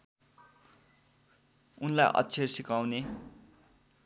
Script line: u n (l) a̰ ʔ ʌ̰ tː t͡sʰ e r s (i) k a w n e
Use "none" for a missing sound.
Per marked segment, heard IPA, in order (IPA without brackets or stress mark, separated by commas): l, i